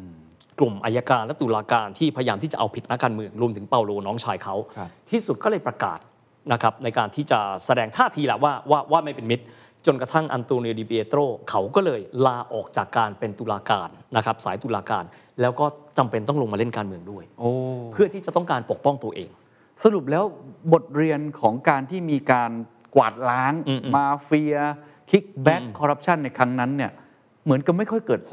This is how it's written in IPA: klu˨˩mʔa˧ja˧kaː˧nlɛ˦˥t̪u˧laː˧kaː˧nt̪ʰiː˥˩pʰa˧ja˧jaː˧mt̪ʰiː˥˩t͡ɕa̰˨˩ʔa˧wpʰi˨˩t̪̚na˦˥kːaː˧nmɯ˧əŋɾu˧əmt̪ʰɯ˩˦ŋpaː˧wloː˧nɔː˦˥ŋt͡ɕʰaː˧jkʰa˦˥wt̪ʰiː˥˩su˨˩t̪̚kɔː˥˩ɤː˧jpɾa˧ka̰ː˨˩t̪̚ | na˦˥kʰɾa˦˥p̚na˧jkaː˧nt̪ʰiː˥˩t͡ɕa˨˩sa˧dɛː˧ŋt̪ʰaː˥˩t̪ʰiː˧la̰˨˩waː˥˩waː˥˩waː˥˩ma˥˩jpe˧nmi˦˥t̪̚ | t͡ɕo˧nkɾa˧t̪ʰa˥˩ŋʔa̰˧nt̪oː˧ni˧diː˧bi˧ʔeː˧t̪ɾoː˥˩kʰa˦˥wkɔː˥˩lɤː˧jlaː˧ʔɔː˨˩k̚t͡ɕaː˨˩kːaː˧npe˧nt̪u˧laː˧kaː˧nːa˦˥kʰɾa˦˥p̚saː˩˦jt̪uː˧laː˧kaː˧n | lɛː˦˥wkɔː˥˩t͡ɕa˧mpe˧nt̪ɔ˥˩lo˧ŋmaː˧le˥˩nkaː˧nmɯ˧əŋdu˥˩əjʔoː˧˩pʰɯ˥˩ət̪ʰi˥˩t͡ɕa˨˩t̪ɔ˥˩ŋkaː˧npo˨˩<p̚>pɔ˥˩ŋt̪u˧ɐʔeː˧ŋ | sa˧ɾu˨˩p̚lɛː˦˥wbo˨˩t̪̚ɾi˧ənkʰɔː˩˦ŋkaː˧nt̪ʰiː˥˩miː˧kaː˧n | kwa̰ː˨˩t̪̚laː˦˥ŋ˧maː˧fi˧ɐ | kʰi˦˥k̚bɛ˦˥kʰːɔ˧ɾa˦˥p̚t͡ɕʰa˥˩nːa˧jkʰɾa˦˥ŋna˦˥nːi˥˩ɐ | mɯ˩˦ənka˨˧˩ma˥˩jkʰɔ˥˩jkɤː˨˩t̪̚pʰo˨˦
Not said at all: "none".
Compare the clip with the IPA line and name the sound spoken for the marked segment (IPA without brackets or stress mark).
k̚